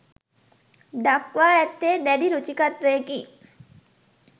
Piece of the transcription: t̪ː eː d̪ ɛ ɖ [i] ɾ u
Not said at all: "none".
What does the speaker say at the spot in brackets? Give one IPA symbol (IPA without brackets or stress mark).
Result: i